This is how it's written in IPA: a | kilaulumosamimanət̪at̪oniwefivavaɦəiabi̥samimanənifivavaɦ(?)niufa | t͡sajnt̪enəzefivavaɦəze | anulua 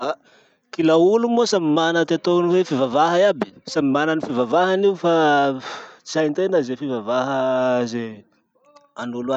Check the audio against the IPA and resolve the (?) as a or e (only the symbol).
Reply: a